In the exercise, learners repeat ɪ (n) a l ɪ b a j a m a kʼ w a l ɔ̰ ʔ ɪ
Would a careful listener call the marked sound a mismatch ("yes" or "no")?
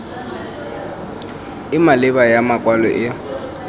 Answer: yes